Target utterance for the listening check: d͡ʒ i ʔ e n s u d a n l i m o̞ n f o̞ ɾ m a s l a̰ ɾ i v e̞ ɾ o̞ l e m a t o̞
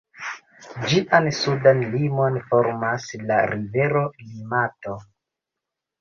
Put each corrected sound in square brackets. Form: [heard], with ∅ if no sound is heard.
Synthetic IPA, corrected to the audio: d͡ʒ i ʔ [a] n s u d a n l i m o̞ n f o̞ ɾ m a s l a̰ ɾ i v e̞ ɾ o̞ l [i] m a t o̞